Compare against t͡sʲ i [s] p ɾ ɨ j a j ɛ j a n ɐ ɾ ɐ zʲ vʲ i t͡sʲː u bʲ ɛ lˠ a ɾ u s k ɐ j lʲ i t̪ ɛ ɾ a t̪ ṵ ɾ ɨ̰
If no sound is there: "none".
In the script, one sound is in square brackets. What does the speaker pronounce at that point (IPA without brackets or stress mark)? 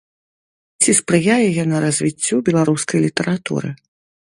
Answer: s